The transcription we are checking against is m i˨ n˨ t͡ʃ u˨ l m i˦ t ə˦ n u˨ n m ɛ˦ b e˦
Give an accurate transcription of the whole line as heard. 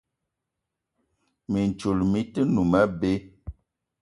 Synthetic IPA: m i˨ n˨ t͡ʃ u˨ l m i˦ t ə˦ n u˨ m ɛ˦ b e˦